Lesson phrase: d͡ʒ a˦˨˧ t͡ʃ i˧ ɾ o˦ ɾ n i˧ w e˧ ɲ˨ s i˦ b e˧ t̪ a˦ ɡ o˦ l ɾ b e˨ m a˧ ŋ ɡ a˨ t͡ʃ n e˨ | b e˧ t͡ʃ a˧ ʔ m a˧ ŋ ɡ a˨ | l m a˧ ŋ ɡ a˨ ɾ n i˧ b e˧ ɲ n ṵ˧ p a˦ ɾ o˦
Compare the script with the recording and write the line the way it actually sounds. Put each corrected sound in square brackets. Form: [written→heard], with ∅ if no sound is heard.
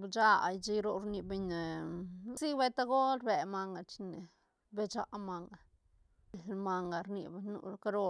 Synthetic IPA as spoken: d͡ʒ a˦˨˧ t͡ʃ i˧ ɾ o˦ ɾ n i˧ [w→b] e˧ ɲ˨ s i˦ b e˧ t̪ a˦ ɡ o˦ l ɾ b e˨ m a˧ ŋ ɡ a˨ t͡ʃ n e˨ | b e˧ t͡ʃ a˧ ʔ m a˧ ŋ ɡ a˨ | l m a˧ ŋ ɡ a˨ ɾ n i˧ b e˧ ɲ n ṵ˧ [p→k] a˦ ɾ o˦

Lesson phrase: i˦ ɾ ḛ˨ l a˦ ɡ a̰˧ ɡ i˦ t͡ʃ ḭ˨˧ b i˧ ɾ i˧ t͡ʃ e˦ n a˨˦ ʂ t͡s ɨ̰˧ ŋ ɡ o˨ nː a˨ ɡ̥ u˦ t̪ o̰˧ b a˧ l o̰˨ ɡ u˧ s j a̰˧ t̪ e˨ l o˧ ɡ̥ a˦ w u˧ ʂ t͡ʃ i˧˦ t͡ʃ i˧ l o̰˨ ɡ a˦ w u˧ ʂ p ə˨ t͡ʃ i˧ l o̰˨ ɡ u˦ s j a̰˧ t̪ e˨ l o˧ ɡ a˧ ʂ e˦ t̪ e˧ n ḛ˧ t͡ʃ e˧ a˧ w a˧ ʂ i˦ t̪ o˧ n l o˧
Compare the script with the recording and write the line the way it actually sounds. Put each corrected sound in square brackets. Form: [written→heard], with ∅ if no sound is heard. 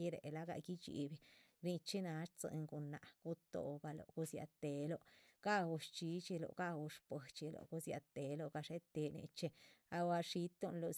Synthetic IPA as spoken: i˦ ɾ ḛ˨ l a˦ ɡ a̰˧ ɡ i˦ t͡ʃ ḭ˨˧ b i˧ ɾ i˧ t͡ʃ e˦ n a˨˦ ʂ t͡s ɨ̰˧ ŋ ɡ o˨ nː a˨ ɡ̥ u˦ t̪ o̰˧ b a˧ l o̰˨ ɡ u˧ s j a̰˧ t̪ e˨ l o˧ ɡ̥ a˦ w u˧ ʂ t͡ʃ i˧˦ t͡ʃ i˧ l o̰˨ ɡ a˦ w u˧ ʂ p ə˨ t͡ʃ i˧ l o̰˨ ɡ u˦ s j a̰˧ t̪ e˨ l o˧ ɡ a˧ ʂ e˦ t̪ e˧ n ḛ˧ t͡ʃ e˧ a˧ w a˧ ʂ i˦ t̪ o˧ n l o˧

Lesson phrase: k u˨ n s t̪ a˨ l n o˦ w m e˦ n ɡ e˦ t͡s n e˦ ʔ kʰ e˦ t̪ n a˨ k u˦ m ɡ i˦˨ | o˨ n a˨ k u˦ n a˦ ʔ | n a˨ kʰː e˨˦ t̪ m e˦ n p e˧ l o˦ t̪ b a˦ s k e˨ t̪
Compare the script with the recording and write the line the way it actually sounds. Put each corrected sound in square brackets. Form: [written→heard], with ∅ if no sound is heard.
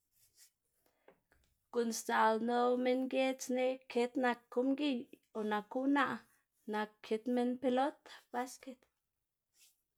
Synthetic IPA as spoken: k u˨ n s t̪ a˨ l n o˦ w m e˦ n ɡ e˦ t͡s n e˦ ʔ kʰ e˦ t̪ n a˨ k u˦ m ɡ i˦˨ | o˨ n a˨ k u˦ n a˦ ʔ | n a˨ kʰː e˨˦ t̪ m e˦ n p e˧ l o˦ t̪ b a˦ s k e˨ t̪

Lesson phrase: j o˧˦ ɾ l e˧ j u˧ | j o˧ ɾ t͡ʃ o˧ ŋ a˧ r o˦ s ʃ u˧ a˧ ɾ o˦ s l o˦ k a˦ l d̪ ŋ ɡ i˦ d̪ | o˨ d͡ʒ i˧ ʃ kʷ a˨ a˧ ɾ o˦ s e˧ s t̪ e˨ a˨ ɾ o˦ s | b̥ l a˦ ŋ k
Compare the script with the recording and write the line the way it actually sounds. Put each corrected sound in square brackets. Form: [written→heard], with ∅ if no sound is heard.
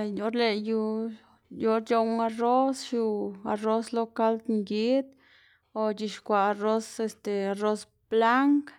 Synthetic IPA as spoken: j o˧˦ ɾ l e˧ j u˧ | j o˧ ɾ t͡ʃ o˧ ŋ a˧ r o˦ s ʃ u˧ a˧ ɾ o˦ s l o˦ k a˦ l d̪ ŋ ɡ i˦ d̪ | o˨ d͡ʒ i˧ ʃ kʷ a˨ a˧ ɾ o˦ s e˧ s t̪ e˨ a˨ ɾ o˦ s | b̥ l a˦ ŋ k

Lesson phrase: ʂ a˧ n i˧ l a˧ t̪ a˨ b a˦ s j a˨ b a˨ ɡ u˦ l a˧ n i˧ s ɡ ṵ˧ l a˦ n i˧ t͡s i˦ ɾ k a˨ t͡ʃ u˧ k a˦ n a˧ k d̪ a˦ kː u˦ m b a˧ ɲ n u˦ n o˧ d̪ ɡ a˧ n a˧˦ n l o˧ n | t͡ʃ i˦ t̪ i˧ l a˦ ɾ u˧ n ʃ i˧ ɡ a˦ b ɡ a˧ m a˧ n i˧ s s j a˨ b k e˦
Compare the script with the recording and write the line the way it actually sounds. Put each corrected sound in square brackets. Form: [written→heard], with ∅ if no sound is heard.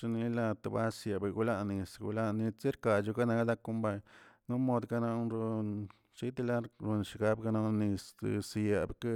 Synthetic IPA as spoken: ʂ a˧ n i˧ l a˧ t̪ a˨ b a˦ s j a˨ b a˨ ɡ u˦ l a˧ n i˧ s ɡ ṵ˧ l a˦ n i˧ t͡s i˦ ɾ k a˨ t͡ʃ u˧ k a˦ n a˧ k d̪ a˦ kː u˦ m b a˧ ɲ n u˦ [n→m] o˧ d̪ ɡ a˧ n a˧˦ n [l→ɾ] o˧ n | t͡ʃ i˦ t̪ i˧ l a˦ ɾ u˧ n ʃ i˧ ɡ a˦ b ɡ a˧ [m→n] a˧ n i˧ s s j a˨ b k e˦

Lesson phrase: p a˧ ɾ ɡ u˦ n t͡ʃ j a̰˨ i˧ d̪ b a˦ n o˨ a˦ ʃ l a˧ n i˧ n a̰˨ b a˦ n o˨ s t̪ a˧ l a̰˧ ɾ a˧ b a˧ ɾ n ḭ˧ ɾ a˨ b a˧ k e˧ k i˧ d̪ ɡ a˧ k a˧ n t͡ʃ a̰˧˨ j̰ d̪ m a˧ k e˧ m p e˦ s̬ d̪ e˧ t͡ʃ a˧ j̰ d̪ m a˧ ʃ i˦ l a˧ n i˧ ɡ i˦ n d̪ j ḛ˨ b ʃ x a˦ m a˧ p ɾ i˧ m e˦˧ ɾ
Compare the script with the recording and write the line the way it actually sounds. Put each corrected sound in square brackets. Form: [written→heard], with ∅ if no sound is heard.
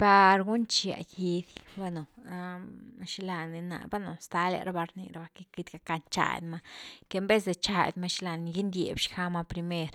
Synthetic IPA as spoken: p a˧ ɾ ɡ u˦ n t͡ʃ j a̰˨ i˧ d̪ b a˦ n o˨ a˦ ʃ l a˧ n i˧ n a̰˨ b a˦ n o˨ s t̪ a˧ l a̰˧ ɾ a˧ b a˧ ɾ n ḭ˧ ɾ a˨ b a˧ k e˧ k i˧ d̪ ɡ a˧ k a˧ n t͡ʃ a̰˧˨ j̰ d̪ m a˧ k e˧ m [p→b] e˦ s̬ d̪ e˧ t͡ʃ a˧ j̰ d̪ m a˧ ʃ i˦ l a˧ n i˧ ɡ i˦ n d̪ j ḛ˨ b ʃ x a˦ m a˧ p ɾ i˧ m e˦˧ ɾ

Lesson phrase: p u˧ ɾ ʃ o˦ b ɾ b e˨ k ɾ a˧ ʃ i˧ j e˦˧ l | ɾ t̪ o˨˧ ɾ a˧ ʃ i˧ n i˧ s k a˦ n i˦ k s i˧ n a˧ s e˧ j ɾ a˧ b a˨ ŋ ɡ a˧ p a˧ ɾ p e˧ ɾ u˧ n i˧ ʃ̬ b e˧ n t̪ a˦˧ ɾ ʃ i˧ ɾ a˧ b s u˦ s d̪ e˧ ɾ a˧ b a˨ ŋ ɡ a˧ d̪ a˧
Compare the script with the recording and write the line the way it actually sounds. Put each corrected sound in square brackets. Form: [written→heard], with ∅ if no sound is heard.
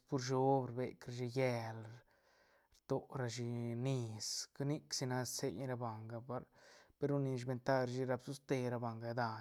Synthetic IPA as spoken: p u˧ ɾ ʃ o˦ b ɾ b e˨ k ɾ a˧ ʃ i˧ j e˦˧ l | ɾ t̪ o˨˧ ɾ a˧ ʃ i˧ n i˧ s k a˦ n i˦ k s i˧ n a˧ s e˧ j ɾ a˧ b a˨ ŋ ɡ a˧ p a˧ ɾ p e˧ ɾ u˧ n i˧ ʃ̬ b e˧ n t̪ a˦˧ ɾ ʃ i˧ ɾ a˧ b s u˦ s [d̪→t̪] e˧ ɾ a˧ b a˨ ŋ ɡ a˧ d̪ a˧

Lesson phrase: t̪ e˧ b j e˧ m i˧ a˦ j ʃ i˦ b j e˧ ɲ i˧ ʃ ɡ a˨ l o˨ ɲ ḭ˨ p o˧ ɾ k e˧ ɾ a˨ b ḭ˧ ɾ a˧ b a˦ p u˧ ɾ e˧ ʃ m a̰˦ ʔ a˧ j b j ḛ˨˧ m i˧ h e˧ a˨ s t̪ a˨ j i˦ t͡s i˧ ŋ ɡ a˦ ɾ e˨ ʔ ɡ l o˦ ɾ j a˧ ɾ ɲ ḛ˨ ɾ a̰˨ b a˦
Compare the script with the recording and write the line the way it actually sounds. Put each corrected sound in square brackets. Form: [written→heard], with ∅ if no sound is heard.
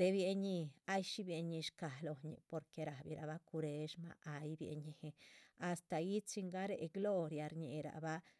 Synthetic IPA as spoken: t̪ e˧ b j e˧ [m→ɲ] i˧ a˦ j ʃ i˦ b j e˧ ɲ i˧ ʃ [ɡ→k] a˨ l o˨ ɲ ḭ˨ p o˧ ɾ k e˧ ɾ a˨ b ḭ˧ ɾ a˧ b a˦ [p→k] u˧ ɾ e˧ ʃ m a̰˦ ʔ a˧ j b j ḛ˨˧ [m→ɲ] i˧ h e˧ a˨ s t̪ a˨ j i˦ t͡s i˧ ŋ ɡ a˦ ɾ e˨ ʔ ɡ l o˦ ɾ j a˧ ɾ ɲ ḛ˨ ɾ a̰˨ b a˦

